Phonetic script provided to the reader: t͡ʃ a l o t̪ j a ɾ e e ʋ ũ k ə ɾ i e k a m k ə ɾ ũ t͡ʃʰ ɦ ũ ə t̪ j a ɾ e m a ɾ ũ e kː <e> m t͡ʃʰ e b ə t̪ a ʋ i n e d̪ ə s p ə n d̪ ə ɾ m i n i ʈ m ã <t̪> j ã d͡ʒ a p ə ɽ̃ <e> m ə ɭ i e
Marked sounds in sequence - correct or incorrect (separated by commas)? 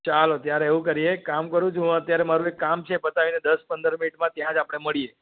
incorrect, correct, correct